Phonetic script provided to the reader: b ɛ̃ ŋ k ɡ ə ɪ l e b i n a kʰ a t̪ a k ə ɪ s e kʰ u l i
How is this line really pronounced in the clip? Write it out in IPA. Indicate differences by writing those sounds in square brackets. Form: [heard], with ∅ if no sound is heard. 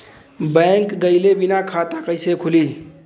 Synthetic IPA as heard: b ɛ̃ ŋ k ɡ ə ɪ l e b i n a kʰ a t̪ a k ə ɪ s e kʰ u l i